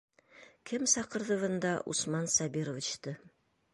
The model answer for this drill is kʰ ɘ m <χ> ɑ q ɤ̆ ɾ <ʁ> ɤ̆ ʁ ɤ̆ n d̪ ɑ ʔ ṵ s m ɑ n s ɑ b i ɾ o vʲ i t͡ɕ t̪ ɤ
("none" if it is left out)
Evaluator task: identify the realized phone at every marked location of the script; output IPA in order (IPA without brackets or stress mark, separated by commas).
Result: s, ð